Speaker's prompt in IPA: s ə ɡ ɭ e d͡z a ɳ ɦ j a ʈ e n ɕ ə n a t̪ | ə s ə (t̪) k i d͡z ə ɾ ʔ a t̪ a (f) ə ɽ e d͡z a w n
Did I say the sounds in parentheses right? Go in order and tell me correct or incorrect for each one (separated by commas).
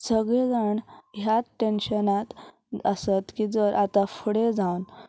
correct, correct